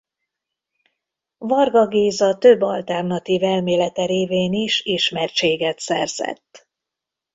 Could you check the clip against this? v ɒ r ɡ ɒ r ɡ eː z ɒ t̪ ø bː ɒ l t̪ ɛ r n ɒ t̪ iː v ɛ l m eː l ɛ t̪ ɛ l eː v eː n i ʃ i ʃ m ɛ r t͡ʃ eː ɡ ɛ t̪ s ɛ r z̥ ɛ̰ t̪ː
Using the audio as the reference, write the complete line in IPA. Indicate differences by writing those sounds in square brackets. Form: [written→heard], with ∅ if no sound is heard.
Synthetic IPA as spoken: v ɒ r ɡ ɒ [r→∅] ɡ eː z ɒ t̪ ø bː ɒ l t̪ ɛ r n ɒ t̪ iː v ɛ l m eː l ɛ t̪ ɛ [l→ɾ] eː v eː n i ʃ i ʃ m ɛ r t͡ʃ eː ɡ ɛ t̪ s ɛ r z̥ ɛ̰ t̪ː